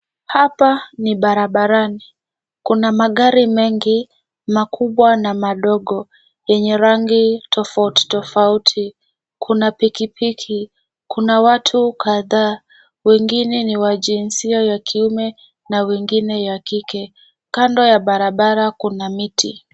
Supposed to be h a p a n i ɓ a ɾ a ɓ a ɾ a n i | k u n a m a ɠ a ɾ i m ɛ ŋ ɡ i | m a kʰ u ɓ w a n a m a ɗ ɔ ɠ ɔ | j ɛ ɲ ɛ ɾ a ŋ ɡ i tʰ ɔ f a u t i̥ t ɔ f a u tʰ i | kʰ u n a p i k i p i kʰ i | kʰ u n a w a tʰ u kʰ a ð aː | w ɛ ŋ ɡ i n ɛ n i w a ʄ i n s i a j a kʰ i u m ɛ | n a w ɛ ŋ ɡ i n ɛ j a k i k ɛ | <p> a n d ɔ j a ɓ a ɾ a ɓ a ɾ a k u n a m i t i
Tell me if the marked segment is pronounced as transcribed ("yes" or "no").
no